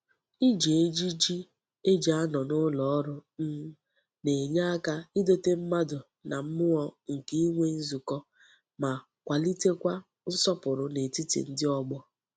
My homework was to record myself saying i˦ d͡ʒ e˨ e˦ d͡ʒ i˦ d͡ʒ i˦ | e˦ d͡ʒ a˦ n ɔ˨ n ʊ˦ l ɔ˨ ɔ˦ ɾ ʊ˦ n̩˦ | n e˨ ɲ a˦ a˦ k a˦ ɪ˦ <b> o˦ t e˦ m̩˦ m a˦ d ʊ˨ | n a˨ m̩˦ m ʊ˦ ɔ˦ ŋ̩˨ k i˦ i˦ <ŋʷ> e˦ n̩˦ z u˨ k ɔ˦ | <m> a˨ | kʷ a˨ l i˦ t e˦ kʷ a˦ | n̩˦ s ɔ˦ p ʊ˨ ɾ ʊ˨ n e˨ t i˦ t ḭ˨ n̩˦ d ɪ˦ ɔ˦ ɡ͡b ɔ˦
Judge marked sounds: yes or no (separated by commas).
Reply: no, yes, yes